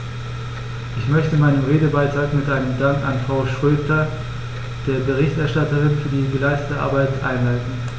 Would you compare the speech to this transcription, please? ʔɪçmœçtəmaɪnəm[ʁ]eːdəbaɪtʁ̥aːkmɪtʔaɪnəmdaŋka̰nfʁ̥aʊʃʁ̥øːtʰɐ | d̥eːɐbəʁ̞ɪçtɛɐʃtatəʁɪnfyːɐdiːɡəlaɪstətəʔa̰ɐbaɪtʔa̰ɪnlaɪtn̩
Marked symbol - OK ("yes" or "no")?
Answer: yes